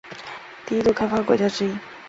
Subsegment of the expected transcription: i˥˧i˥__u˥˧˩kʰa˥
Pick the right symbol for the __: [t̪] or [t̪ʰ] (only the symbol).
t̪